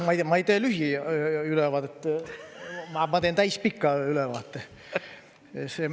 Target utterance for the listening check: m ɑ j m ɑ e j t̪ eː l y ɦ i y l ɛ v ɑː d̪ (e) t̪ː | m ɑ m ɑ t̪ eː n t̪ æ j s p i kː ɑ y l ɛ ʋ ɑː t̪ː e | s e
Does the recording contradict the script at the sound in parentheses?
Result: no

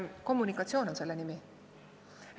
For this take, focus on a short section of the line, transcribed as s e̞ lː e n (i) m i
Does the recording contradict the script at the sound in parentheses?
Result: no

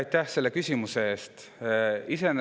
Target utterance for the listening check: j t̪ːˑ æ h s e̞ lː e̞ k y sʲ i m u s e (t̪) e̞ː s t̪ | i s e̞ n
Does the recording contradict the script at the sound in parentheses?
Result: yes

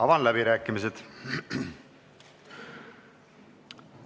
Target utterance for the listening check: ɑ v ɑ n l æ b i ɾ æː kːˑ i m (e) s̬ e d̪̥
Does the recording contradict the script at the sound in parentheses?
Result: yes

